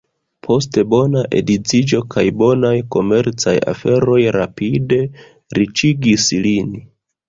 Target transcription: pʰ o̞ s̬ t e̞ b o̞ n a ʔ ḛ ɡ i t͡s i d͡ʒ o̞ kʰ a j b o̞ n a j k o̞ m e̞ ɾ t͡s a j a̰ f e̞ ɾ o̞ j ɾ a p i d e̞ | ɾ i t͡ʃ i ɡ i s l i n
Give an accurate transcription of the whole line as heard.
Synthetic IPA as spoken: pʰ o̞ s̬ t e̞ b o̞ n a ʔ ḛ d i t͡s i d͡ʒ o̞ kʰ a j b o̞ n a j k o̞ m e̞ ɾ t͡s a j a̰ f e̞ ɾ o̞ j ɾ a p i d e̞ | ɾ i t͡ʃ i ɡ i s l i n